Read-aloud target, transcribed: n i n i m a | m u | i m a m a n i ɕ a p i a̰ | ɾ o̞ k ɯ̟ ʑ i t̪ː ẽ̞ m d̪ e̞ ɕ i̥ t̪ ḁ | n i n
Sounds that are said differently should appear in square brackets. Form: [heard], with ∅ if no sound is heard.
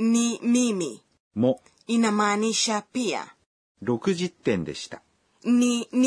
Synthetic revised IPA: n i [m] i m [i] | m [o] | i [n] a m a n i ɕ a p i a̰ | ɾ o̞ k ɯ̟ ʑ i t̪ː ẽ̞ [n] d̪ e̞ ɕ i̥ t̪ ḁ | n i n